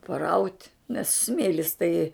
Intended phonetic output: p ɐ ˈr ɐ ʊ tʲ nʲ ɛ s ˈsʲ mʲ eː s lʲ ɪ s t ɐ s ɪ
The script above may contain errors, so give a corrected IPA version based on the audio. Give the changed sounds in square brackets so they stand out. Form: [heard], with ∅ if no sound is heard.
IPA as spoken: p ɐ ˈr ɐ ʊ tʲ nʲ ɛ s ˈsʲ mʲ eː [∅] lʲ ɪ s t ɐ [∅] ɪ